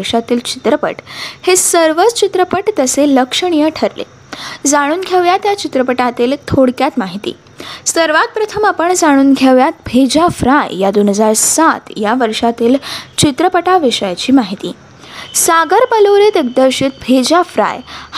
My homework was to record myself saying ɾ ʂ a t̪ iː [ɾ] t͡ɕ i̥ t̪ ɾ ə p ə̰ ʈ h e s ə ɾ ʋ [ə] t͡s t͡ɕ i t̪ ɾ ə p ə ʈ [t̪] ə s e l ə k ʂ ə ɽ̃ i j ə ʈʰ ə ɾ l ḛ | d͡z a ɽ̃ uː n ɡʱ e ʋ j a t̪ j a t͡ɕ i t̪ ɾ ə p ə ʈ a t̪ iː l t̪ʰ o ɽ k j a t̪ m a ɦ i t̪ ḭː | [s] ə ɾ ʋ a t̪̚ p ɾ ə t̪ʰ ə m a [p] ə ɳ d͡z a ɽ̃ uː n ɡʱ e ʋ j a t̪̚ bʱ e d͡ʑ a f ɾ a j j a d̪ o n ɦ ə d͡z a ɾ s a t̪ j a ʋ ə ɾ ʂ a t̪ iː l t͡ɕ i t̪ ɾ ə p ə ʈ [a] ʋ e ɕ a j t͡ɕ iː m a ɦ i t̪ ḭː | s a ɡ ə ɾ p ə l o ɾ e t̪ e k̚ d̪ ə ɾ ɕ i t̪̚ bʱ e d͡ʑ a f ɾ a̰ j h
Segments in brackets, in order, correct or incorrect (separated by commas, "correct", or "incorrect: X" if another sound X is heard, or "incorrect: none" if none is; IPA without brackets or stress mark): incorrect: l, correct, correct, correct, correct, correct